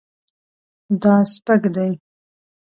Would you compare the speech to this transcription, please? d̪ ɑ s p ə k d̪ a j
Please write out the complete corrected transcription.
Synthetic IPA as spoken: d̪ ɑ s p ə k d̪ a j